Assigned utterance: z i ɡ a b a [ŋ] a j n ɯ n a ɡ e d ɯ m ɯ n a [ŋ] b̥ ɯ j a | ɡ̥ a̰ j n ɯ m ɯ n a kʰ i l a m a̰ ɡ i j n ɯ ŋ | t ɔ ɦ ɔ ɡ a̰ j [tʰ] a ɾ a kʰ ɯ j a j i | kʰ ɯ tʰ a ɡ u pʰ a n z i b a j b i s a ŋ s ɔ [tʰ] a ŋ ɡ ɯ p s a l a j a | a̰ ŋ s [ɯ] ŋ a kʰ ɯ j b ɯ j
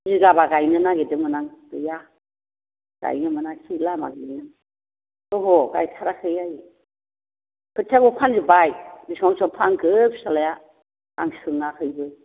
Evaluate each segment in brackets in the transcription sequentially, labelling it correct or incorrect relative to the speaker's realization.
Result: incorrect: ɡ, correct, correct, incorrect: pʰ, correct

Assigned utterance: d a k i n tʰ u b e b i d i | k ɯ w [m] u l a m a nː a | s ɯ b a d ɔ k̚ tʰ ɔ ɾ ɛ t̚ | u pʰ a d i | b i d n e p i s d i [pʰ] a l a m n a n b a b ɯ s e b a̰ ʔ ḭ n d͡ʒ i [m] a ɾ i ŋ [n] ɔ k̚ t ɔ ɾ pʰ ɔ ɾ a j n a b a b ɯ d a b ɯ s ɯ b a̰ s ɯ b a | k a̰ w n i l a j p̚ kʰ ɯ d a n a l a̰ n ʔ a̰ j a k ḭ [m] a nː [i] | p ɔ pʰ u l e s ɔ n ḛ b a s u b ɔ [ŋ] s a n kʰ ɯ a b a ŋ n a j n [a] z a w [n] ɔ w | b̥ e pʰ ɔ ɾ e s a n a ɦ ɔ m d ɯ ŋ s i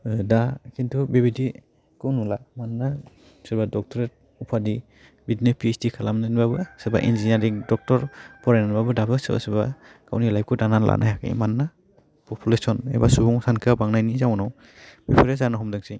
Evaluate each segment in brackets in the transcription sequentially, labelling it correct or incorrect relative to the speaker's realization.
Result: incorrect: n, incorrect: kʰ, incorrect: n, incorrect: d, correct, incorrect: a, correct, incorrect: i, correct

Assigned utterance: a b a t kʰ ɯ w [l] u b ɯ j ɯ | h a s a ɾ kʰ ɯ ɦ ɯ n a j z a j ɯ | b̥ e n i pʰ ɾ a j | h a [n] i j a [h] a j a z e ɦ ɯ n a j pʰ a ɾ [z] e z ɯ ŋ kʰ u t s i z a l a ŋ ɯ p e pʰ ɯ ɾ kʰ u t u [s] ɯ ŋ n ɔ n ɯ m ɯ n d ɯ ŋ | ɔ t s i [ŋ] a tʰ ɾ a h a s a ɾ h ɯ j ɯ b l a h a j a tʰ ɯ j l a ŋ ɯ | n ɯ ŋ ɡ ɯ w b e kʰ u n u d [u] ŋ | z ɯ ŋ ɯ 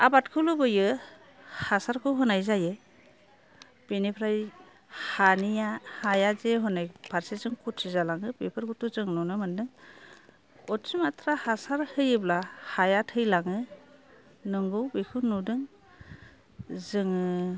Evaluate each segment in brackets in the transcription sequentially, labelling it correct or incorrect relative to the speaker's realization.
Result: correct, correct, correct, incorrect: s, incorrect: z, incorrect: m, incorrect: ɯ

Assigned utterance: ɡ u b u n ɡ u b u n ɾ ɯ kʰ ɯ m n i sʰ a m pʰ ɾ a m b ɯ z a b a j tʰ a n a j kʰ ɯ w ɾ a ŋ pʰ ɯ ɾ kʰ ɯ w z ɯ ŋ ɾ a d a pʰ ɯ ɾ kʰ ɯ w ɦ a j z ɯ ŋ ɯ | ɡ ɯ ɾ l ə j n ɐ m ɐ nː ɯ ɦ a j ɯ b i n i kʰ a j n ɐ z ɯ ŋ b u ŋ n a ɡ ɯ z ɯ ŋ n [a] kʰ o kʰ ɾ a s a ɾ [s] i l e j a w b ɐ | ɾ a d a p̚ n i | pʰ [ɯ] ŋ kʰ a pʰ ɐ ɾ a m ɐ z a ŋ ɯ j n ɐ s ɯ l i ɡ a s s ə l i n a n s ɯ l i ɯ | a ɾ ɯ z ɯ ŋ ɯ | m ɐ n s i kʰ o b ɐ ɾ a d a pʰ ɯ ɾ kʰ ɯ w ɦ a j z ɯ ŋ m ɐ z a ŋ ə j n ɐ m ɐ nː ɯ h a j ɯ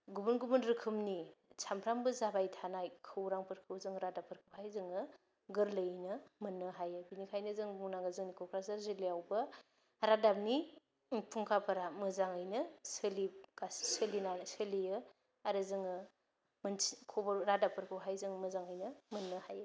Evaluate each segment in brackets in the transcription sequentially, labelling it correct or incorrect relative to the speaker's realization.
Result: incorrect: i, incorrect: z, incorrect: u

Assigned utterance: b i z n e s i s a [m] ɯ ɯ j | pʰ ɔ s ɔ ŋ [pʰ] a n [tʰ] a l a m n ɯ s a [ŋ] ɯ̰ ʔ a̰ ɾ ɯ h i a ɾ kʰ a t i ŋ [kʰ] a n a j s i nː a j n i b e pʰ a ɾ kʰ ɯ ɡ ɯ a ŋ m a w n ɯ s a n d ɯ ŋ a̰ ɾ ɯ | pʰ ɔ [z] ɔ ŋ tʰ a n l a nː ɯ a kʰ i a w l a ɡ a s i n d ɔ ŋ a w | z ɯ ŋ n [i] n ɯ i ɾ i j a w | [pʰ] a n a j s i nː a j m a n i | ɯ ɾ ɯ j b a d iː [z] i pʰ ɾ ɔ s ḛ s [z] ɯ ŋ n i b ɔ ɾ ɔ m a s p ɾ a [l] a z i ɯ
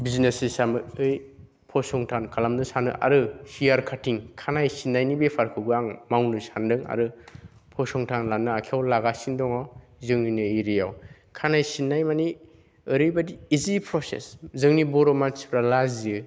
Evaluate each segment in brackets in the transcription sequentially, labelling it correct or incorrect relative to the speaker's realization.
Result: correct, incorrect: tʰ, incorrect: kʰ, incorrect: n, correct, incorrect: s, correct, incorrect: kʰ, correct, correct, correct

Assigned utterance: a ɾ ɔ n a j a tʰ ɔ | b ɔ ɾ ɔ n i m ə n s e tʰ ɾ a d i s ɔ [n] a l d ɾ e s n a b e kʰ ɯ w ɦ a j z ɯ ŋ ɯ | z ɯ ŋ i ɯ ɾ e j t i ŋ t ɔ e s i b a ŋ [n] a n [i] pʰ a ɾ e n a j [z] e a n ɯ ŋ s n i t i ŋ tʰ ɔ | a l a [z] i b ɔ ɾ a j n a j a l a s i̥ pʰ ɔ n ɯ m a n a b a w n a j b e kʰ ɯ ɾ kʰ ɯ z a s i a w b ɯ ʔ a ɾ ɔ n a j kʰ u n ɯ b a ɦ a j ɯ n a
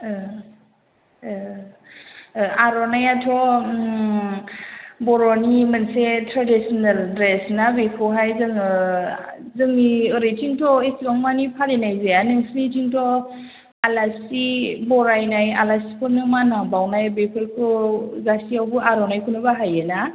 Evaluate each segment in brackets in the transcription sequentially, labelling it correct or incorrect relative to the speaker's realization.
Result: correct, incorrect: m, correct, correct, incorrect: s

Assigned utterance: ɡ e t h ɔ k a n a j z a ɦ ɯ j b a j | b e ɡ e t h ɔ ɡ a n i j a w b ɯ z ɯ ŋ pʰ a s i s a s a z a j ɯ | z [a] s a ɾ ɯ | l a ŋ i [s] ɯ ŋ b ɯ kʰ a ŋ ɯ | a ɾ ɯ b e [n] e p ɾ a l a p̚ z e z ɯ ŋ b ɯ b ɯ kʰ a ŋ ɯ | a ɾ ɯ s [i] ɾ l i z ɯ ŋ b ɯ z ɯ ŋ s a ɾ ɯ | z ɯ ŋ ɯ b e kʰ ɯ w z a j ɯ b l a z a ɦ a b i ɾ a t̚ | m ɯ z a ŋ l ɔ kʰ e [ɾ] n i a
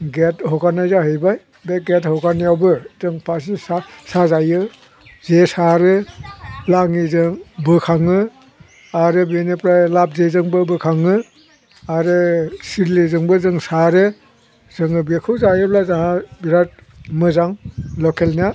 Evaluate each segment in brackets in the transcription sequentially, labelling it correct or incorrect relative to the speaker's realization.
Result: incorrect: e, incorrect: z, correct, correct, incorrect: l

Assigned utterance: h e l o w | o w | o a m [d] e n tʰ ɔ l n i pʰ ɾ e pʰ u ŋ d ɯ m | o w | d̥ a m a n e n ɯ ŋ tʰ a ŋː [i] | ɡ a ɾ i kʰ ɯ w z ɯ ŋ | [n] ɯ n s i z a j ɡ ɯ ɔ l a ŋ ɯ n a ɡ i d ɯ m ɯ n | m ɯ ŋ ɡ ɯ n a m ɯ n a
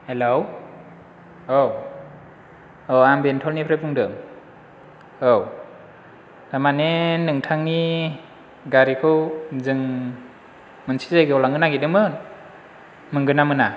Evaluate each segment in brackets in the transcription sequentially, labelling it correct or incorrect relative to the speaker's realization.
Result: incorrect: b, correct, incorrect: m

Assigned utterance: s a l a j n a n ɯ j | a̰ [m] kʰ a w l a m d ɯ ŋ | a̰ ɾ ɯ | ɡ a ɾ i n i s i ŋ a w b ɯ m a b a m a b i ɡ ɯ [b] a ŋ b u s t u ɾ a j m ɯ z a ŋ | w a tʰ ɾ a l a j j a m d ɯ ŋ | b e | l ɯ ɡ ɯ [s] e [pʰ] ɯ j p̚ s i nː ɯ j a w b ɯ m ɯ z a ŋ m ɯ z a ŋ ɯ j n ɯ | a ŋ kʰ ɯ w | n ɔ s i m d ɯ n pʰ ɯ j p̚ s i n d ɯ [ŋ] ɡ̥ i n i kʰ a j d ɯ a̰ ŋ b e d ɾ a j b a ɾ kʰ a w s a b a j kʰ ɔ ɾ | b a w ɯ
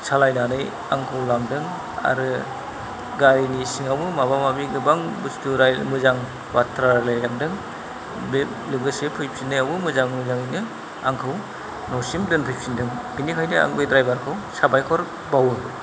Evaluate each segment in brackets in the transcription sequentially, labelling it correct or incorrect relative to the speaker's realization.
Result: incorrect: ŋ, correct, correct, correct, correct

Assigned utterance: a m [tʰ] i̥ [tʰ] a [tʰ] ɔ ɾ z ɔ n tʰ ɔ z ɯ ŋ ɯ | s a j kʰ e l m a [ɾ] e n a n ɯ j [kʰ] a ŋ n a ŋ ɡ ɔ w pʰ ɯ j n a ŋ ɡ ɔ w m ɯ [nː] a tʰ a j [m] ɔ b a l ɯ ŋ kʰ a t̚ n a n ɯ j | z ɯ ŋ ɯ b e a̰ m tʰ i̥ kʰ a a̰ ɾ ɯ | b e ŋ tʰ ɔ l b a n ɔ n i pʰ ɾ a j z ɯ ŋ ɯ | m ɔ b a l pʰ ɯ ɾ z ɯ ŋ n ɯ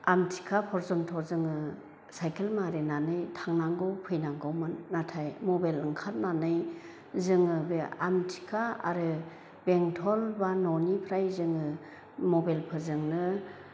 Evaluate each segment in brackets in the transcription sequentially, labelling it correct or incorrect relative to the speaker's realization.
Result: correct, incorrect: kʰ, incorrect: pʰ, correct, incorrect: tʰ, correct, correct

